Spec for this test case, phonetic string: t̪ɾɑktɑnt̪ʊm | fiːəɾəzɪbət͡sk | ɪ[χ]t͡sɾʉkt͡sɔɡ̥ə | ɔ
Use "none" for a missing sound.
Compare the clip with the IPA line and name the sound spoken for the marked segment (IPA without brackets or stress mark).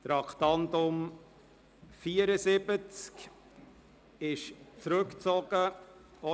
ʃ